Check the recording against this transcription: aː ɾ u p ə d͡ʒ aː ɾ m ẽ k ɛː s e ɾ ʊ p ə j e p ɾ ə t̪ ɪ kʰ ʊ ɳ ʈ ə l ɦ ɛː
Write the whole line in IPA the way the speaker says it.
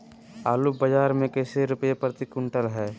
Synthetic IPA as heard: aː l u b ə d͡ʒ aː ɾ m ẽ k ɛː s e ɾ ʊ p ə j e p ɾ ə t̪ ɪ k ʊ ɳ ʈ ə l ɦ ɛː

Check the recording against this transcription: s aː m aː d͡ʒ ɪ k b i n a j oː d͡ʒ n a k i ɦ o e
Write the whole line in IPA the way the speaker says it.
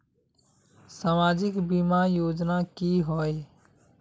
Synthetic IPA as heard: s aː m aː d͡ʒ ɪ k b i m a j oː d͡ʒ n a k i ɦ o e

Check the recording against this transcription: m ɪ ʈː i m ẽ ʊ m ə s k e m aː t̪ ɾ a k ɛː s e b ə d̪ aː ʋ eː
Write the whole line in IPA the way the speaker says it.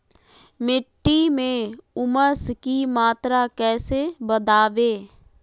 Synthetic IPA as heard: m ɪ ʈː i m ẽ ʊ m ə s k i m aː t̪ ɾ a k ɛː s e b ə d̪ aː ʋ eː

